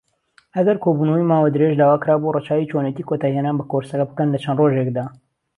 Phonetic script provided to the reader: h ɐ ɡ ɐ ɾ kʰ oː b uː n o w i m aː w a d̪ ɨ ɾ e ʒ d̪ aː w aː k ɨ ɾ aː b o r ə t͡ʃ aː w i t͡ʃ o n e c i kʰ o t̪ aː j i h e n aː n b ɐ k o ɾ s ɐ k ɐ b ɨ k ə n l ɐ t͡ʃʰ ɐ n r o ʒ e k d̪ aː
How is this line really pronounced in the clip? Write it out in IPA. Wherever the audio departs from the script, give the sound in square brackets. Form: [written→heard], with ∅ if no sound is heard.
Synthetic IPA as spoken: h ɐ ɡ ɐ ɾ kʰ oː b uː n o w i m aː w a d̪ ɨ ɾ e ʒ d̪ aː w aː k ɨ ɾ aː b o r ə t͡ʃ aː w i t͡ʃ o n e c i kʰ o t̪ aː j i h e n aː n b ɐ k o ɾ s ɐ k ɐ b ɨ k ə n l ɐ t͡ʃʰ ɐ n r o ʒ e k d̪ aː